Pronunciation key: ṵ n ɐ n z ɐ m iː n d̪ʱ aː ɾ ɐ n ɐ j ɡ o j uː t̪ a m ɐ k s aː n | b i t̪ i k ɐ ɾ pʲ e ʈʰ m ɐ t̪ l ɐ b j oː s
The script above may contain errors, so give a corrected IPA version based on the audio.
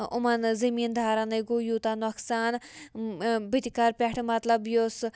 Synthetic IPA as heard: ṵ m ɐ n z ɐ m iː n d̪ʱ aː ɾ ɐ n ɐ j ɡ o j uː t̪ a n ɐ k s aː n | b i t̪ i k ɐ ɾ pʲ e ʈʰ m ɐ t̪ l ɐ b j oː s